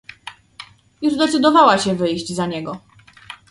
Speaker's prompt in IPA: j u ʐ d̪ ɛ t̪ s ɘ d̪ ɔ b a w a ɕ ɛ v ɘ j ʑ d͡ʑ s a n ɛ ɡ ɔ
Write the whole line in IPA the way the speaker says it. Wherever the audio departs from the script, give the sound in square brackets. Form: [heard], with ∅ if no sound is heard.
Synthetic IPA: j u ʐ d̪ ɛ t̪ s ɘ d̪ ɔ [v] a w a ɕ ɛ v ɘ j ʑ d͡ʑ [z] a [ɲ] ɛ ɡ ɔ